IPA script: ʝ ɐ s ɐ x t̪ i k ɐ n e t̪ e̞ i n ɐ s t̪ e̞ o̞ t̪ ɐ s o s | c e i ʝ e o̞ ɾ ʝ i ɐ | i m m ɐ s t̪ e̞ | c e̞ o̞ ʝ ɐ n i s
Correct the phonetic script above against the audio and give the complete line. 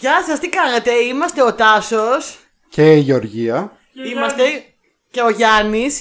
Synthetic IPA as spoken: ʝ ɐ s ɐ s t̪ i k ɐ n e t̪ e̞ i m ɐ s t̪ e̞ o̞ t̪ ɐ s o s | c e i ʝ e o̞ ɾ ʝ i ɐ | i m m ɐ s t̪ e̞ | c e̞ o̞ ʝ ɐ n i s